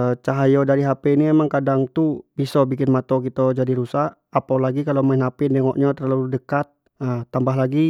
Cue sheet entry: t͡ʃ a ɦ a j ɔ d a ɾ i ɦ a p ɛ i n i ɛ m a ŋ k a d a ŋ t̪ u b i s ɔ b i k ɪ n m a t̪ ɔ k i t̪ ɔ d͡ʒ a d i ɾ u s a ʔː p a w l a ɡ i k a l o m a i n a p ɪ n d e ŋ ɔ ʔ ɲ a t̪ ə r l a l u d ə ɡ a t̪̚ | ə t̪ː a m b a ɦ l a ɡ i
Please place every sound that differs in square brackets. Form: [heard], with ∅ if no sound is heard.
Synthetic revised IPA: t͡ʃ a ɦ a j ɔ d a ɾ i ɦ a p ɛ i n i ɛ m a ŋ k a d a ŋ t̪ u b i s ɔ b i k ɪ n m a t̪ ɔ k i t̪ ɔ d͡ʒ a d i ɾ u s a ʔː p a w l a ɡ i k a l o m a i n a p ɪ n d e ŋ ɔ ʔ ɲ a t̪ ə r l a l u d ə [k] a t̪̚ | ə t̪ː a m b a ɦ l a ɡ i